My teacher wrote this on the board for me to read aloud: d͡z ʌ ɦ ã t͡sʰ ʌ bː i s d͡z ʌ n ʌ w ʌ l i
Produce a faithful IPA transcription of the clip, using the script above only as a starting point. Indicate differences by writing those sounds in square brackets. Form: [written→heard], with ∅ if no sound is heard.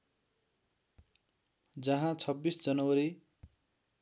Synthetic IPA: d͡z ʌ ɦ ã t͡sʰ ʌ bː i s d͡z ʌ n ʌ w ʌ [l→ɾ] i